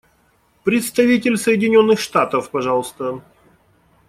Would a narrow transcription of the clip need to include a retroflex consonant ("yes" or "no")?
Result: yes